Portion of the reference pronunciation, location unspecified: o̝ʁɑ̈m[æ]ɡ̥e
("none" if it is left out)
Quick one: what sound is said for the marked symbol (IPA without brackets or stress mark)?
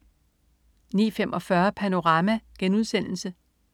æ